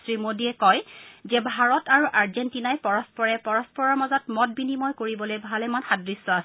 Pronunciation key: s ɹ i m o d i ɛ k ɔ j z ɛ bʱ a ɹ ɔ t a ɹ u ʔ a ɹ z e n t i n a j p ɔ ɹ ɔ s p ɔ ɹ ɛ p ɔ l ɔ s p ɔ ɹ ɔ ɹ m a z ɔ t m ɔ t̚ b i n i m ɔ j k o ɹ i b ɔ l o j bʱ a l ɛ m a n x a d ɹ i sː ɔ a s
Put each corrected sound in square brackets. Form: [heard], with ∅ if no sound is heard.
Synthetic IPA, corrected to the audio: s ɹ i m o d i ɛ k ɔ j z ɛ bʱ a ɹ ɔ t a ɹ u ʔ a ɹ z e n t i n a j p ɔ ɹ ɔ s p ɔ ɹ ɛ p ɔ [ɹ] ɔ s p ɔ ɹ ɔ ɹ m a z ɔ t m ɔ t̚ b i n i m ɔ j k o ɹ i b ɔ l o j bʱ a l ɛ m a n x a d ɹ i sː ɔ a s